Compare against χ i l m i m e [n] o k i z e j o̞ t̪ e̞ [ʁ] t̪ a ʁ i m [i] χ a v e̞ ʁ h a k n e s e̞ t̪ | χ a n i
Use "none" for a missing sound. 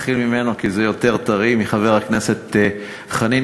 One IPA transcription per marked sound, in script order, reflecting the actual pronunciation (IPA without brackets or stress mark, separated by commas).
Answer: n, ʁ, i